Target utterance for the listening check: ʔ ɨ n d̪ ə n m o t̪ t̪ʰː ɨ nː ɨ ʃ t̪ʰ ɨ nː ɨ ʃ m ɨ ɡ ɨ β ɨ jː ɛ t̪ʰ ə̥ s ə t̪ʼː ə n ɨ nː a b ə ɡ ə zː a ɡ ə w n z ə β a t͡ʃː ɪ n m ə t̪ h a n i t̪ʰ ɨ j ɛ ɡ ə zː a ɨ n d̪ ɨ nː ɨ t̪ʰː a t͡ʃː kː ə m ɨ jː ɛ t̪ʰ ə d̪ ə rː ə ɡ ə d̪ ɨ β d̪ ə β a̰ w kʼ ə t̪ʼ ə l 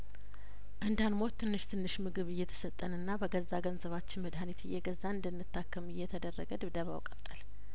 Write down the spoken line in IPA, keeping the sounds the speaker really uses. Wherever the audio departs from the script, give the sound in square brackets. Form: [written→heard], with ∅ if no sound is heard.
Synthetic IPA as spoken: ʔ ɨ n d̪ [ə→a] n m o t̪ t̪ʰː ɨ nː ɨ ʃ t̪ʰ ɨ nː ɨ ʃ m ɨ ɡ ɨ β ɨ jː ɛ t̪ʰ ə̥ s ə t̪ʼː ə n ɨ nː a b ə ɡ ə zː a ɡ ə [w→∅] n z ə β a t͡ʃː ɪ n m ə [t̪→d̪] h a n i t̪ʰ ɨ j ɛ ɡ ə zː a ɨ n d̪ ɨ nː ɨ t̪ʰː a [t͡ʃː→∅] kː ə m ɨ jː ɛ t̪ʰ ə d̪ ə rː ə ɡ ə d̪ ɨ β d̪ ə β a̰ w kʼ ə t̪ʼ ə l